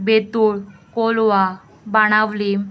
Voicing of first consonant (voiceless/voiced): voiced